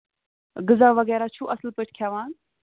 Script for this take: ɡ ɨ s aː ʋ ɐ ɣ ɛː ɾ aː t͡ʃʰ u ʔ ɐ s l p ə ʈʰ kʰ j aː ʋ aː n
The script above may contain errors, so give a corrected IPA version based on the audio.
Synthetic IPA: ɡ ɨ z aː ʋ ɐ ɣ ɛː ɾ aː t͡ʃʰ u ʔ ɐ s l p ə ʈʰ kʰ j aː ʋ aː n